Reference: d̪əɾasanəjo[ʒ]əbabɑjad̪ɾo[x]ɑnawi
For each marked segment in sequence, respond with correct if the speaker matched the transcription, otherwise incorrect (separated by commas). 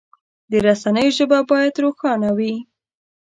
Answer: correct, correct